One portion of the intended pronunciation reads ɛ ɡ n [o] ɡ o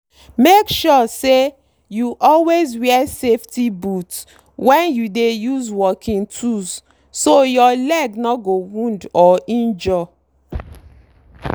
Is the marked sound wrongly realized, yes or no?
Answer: yes